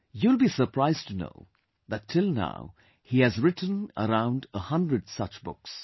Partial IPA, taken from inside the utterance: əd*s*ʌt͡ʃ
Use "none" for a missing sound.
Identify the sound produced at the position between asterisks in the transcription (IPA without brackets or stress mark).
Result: s